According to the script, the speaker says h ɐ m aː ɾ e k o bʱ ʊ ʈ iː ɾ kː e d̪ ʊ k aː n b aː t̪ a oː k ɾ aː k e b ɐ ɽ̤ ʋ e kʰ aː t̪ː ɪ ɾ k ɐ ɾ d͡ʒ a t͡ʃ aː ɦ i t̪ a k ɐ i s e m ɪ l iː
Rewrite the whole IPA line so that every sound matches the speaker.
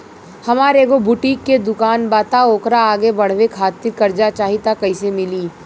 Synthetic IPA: h ɐ m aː ɾ e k o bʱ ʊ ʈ iː kː e d̪ ʊ k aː n b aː t̪ a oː k ɾ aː ɡ e b ɐ ɽ̤ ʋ e kʰ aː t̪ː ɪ ɾ k ɐ ɾ d͡ʒ a t͡ʃ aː ɦ i t̪ a k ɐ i s e m ɪ l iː